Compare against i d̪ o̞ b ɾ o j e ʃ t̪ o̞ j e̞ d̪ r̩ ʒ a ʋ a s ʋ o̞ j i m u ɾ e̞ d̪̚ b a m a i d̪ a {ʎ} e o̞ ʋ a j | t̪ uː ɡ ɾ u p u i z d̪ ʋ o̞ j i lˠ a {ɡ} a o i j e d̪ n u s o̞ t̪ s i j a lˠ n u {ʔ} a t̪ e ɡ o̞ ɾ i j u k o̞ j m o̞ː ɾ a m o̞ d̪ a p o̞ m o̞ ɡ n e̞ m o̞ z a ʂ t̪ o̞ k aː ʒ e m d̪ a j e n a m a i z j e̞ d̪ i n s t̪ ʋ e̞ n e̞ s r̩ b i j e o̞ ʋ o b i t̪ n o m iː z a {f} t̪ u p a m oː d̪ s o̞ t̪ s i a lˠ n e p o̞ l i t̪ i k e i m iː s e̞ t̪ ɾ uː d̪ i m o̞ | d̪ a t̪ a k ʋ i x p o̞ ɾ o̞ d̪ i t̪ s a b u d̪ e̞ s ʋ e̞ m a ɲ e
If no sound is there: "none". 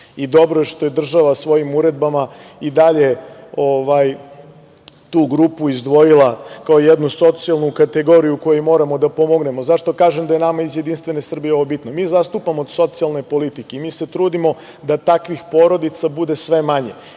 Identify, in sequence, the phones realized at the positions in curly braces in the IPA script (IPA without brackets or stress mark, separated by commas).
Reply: ʎ, k, k, s